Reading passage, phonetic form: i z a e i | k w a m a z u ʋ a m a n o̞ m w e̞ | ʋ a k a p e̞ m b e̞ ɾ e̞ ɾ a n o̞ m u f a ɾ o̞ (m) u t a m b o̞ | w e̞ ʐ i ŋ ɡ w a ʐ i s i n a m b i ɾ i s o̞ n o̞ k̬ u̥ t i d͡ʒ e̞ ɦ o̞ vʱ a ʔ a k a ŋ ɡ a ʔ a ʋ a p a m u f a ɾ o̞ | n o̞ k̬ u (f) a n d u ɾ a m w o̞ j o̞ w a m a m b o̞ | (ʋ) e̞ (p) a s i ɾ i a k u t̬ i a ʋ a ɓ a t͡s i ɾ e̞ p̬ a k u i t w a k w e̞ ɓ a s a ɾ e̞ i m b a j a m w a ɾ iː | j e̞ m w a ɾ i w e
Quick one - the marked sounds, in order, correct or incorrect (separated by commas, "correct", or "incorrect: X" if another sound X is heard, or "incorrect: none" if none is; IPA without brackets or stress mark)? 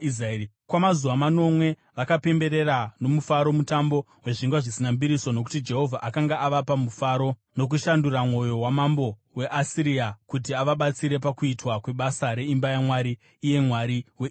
correct, incorrect: ʃ, incorrect: w, incorrect: ʔ